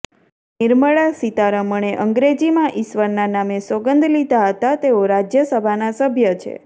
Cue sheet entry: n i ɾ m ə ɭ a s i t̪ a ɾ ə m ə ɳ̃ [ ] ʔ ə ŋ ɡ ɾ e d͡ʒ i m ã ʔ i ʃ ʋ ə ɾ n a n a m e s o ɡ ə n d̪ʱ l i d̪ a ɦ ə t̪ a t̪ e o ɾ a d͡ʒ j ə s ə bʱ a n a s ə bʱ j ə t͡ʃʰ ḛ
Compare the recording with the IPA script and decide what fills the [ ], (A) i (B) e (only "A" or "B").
B